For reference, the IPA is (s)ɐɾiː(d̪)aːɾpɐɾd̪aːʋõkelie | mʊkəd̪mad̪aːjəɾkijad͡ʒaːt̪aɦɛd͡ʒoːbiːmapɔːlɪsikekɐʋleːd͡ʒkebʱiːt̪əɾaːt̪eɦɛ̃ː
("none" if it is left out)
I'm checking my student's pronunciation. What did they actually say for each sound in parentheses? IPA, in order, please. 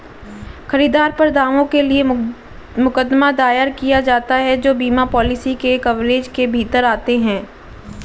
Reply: x, d̪

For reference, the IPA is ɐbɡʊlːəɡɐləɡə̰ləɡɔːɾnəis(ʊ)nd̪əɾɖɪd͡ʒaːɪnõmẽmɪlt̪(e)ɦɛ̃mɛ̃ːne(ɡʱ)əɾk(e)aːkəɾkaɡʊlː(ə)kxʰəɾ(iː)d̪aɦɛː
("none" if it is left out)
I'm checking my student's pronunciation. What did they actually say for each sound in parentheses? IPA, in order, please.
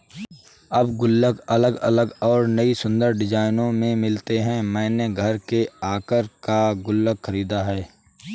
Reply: ʊ̃, e, ɡʱ, e, ə, iː

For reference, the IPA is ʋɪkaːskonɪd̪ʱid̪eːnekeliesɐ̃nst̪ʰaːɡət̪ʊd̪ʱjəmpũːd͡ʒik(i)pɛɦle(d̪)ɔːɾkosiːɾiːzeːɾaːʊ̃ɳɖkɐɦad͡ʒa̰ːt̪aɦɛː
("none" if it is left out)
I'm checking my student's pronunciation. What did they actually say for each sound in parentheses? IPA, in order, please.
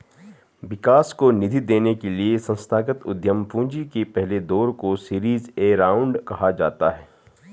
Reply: e, d̪

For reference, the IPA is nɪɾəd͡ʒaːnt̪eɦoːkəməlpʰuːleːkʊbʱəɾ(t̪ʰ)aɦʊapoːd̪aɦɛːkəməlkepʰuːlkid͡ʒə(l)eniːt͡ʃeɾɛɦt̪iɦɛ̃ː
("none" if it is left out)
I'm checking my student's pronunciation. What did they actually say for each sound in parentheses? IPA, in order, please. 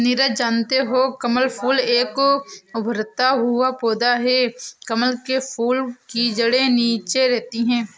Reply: t̪, ɽ

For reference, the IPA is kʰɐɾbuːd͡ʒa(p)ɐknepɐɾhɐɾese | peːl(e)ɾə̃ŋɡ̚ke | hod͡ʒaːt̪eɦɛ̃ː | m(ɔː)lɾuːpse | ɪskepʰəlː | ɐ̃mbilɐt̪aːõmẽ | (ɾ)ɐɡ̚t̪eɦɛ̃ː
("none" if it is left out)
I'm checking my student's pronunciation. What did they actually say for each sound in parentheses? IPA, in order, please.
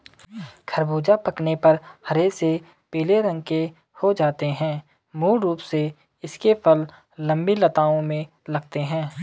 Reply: p, e, uː, l

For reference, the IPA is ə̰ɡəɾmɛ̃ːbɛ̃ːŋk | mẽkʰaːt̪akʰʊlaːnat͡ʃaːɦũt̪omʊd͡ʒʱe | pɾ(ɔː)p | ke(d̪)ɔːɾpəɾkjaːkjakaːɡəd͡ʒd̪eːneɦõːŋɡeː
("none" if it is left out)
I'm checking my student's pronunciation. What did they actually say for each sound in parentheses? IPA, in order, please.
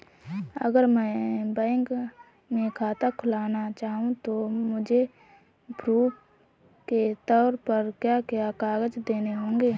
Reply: uː, t̪

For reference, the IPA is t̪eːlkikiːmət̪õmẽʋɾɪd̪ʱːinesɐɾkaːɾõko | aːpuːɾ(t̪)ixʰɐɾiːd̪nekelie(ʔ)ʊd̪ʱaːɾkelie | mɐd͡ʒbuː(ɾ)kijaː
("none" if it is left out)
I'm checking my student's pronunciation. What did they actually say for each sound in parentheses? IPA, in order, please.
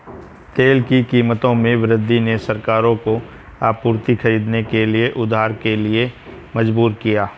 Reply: t̪, ʔ, ɾ

